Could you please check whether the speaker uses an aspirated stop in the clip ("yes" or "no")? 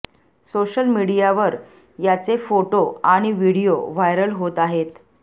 no